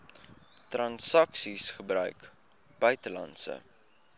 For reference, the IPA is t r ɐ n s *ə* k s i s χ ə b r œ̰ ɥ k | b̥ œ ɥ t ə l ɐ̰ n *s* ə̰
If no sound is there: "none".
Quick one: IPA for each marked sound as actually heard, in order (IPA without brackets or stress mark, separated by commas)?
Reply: ɐ, s